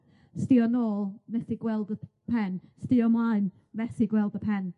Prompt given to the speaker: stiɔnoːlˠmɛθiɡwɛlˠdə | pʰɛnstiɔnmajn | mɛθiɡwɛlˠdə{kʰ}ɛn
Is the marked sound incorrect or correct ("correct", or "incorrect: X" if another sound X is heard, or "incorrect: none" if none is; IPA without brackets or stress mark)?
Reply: incorrect: pʰ